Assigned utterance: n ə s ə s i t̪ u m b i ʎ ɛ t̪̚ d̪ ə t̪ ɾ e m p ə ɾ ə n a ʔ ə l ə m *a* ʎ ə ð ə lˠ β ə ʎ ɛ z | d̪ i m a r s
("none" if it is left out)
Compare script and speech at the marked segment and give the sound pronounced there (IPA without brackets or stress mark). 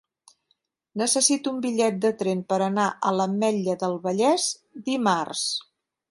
ɛ